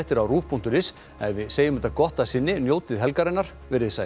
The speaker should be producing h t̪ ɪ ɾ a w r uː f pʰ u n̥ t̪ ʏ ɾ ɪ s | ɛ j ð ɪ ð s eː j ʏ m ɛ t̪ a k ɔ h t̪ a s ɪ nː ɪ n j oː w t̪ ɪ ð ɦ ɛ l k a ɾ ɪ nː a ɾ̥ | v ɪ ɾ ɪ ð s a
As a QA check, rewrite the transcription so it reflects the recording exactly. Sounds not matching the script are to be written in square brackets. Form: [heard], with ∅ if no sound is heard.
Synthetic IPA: h t̪ ɪ ɾ a w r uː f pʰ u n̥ t̪ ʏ ɾ ɪ s | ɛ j [v] ɪ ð s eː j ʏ m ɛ t̪ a k ɔ h t̪ a s ɪ nː ɪ n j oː w t̪ ɪ ð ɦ ɛ l k a ɾ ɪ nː a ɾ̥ | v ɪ ɾ ɪ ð s a

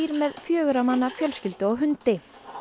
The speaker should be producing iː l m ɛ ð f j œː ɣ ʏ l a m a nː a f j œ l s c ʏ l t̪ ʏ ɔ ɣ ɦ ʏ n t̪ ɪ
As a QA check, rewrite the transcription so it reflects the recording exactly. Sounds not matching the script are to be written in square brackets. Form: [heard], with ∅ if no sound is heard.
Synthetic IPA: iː [ɾ] m ɛ ð f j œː ɣ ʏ [ɾ] a m a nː a f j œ l s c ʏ l t̪ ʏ ɔ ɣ ɦ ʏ n t̪ ɪ

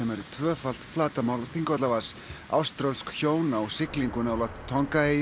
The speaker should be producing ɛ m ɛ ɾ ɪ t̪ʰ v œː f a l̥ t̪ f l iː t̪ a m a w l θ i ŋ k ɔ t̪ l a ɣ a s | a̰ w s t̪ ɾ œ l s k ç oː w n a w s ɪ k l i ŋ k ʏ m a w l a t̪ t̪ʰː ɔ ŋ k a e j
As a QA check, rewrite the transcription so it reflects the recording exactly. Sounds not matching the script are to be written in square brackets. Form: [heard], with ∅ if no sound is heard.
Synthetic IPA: ɛ m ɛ ɾ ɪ t̪ʰ v œː f a l̥ t̪ f l [aː] t̪ a m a w l θ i ŋ k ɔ t̪ l a [v] a s | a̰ w s t̪ ɾ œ l s k ç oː w n a w s ɪ k l i ŋ k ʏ [n] a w l a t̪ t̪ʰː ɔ ŋ k a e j

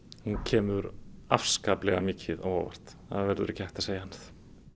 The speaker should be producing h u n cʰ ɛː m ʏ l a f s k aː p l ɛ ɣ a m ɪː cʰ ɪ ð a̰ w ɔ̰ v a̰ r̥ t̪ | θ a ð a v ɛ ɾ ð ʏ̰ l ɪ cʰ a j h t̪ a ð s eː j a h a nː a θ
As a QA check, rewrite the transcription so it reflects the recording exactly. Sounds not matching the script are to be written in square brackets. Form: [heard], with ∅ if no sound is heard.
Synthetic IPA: h u n cʰ ɛː m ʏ [ɾ] a f s k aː p l ɛ ɣ a m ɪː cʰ ɪ ð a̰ w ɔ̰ v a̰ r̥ t̪ | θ a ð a v ɛ ɾ ð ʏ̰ [ɾ] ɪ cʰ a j h t̪ a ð s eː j a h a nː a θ

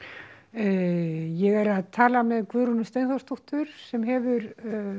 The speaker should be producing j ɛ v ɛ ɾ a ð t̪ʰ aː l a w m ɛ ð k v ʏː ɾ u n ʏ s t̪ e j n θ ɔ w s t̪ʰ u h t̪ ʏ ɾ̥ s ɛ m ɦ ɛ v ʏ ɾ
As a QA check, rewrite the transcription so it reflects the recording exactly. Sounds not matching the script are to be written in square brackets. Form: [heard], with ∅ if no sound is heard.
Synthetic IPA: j ɛ [ɣ] ɛ ɾ a ð t̪ʰ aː l a [∅] m ɛ ð k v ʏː ɾ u n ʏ s t̪ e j n θ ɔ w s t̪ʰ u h t̪ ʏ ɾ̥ s ɛ m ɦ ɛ v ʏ ɾ

